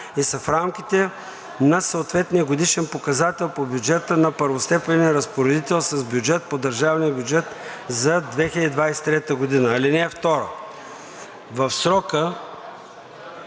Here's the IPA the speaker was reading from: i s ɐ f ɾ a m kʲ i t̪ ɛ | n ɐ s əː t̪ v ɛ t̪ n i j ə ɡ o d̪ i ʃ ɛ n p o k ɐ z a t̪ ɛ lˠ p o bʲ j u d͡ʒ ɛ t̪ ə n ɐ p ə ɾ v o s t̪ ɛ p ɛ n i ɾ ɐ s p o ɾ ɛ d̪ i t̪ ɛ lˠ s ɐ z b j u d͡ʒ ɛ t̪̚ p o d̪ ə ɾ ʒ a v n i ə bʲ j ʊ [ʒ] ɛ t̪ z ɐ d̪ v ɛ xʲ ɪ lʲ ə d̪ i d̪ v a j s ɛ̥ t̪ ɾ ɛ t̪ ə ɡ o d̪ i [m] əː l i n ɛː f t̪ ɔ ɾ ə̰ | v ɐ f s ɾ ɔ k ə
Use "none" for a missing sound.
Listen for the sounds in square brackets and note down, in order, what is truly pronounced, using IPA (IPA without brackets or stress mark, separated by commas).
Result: d͡ʒ, n